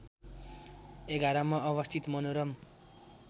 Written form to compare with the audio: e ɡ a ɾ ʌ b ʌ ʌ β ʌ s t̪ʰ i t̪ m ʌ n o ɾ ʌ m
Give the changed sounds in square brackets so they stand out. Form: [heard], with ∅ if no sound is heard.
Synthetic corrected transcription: e ɡ a ɾ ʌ [m] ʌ ʌ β ʌ s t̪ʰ i t̪ m ʌ n o ɾ ʌ m